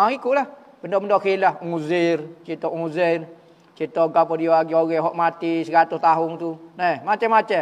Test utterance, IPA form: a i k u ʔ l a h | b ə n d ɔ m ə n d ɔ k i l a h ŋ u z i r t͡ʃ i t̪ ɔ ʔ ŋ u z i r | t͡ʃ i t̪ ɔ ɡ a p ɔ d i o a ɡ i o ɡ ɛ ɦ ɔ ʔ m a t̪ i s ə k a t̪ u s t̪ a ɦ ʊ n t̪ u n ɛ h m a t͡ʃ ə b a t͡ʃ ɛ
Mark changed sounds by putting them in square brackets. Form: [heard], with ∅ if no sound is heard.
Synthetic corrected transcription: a i k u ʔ l a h | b ə n d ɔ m ə n d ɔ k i l a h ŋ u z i r t͡ʃ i t̪ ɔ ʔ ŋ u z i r | t͡ʃ i t̪ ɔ ɡ a p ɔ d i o a ɡ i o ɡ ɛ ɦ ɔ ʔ m a t̪ i s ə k a t̪ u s t̪ a ɦ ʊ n t̪ u n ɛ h m a t͡ʃ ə [m] a t͡ʃ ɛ